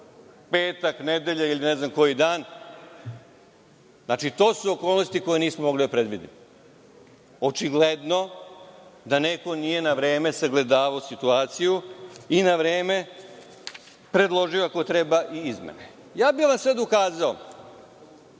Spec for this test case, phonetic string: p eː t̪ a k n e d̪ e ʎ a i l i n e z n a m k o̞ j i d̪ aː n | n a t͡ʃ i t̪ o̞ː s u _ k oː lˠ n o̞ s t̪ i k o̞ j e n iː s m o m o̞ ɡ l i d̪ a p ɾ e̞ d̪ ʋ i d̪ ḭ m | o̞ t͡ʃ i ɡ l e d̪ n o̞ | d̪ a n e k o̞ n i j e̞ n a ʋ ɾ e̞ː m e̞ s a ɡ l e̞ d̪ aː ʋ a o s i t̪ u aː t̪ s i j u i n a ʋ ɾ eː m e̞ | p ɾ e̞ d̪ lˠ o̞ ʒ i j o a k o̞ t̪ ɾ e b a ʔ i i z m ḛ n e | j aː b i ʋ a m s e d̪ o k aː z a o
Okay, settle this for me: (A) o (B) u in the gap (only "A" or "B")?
A